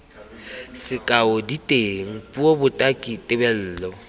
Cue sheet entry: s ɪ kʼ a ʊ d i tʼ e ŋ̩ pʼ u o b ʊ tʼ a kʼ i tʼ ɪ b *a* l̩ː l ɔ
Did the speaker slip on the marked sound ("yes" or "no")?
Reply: yes